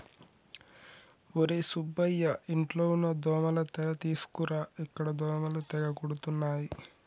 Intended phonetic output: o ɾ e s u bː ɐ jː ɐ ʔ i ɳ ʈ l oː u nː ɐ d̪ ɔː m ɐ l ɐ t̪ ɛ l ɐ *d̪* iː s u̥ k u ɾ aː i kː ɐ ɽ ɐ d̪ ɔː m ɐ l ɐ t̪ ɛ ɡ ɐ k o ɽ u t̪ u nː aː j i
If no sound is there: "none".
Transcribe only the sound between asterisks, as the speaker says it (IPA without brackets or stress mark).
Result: t̪